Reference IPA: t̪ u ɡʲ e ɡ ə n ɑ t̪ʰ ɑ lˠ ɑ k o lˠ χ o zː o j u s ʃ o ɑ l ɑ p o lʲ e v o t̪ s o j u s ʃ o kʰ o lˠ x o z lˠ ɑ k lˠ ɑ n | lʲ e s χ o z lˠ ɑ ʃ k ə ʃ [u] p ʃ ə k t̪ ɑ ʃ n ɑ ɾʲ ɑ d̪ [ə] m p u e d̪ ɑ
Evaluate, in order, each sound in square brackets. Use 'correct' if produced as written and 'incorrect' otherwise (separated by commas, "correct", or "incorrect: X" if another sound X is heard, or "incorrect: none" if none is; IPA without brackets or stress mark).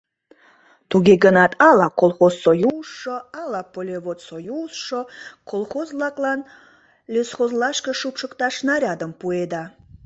correct, correct